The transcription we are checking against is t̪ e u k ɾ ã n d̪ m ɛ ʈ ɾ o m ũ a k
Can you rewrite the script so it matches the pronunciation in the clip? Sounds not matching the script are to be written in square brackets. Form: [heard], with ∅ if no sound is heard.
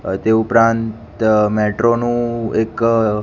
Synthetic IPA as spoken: t̪ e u [p] ɾ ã n [t̪] m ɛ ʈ ɾ o [n] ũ [e] k